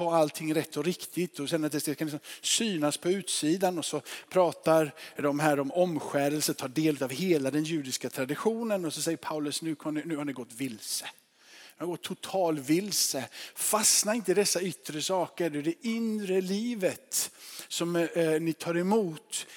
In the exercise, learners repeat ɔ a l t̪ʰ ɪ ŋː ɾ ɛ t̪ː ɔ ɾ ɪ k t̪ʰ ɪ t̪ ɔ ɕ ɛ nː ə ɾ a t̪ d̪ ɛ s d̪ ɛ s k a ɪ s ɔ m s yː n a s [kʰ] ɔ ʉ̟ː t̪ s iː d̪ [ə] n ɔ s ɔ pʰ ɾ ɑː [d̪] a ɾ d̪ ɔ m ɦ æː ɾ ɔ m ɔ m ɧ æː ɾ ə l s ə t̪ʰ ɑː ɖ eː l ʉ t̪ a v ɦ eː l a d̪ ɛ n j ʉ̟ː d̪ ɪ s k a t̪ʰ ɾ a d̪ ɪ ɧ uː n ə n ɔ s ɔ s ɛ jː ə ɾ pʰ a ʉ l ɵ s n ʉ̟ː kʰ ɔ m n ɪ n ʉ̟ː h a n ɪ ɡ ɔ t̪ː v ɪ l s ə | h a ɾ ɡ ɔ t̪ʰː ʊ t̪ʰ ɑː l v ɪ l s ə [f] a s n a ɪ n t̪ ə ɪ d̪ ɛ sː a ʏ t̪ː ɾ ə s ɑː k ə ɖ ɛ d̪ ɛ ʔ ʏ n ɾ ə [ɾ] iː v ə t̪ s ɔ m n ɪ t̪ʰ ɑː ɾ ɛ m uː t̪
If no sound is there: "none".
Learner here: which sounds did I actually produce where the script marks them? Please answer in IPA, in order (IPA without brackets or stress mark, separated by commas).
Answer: pʰ, a, t̪, f, l